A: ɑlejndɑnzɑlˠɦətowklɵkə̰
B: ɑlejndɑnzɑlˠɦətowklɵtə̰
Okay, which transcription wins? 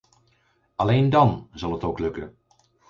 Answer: A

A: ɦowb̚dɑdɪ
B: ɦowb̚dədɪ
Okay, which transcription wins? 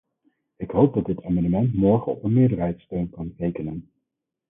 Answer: A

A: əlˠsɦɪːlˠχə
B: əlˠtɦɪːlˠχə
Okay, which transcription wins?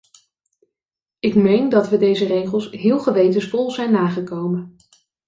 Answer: A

